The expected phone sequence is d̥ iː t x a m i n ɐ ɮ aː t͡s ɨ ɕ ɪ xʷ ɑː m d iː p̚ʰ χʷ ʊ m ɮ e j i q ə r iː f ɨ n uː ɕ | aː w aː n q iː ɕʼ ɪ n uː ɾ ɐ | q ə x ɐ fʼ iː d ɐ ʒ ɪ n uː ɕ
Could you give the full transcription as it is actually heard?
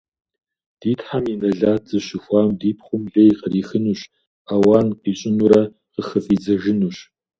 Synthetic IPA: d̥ iː t ħ a m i n ɐ ɮ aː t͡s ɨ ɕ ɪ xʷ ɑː m d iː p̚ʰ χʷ ʊ m ɮ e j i q ə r iː x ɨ n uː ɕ | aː w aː n q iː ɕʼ ɪ n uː ɾ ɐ | q ə x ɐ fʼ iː d͡z ɐ ʒ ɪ n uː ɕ